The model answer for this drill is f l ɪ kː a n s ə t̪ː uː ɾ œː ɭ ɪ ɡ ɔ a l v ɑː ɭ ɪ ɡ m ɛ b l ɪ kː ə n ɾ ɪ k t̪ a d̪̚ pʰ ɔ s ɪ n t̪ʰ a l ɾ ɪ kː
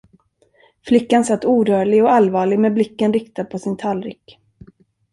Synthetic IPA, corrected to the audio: f l ɪ kː a n s a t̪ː uː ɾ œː ɭ ɪ ɡ ɔ a l v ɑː ɭ ɪ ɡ m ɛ b l ɪ kː ə n ɾ ɪ k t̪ a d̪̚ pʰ ɔ s ɪ n t̪ʰ a l ɾ ɪ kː